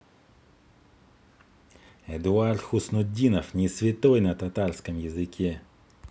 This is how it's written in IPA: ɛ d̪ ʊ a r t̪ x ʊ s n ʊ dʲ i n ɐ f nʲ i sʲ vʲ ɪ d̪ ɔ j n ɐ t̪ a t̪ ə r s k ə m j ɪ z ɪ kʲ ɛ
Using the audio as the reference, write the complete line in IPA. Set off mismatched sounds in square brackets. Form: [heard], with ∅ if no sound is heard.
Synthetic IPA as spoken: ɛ d̪ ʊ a r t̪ x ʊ s n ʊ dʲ i n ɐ f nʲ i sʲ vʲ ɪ [t̪] ɔ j n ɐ t̪ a t̪ [a] r s k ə m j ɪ z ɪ kʲ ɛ